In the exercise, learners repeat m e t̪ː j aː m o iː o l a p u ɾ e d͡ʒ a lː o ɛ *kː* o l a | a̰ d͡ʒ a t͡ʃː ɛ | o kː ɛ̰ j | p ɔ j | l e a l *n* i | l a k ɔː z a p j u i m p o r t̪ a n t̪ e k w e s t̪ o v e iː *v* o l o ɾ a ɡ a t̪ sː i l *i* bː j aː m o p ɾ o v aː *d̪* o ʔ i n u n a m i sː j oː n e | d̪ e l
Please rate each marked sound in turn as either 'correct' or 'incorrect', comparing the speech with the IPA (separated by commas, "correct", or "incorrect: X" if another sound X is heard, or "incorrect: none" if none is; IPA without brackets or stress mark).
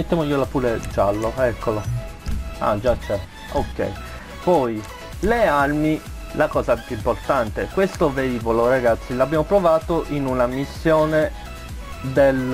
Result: correct, incorrect: m, correct, incorrect: a, incorrect: t̪